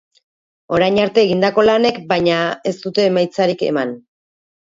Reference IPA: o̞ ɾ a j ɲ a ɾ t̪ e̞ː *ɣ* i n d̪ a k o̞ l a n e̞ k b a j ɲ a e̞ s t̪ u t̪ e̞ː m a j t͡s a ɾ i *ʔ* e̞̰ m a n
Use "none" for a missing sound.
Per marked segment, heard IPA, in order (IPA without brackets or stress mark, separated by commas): ɣ, k